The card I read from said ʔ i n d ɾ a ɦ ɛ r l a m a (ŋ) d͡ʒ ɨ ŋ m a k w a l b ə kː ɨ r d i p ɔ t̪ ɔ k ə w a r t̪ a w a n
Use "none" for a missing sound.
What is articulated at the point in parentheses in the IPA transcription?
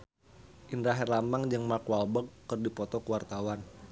ŋ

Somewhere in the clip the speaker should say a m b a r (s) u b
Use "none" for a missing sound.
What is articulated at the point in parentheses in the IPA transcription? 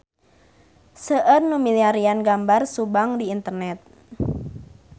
s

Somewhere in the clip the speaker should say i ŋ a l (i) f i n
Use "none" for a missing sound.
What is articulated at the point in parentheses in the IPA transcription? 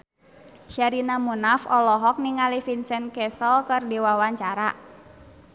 i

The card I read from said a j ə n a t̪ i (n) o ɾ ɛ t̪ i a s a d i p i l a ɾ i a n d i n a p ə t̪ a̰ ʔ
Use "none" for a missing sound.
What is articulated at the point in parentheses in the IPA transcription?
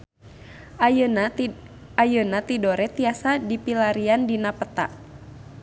d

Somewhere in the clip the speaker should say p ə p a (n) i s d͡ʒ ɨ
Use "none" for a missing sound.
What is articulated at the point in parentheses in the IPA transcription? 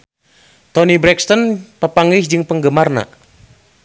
ŋ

